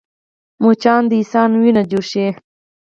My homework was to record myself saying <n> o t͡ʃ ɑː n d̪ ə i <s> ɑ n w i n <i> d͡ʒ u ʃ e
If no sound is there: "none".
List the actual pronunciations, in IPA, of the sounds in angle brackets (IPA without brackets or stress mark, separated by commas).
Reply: m, s, a